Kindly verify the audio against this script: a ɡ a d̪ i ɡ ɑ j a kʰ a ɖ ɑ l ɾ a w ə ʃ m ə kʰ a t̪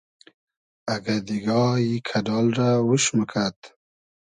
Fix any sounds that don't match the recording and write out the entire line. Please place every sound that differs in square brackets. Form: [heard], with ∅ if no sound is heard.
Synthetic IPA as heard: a ɡ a d̪ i ɡ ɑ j [i] kʰ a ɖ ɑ l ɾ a w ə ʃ m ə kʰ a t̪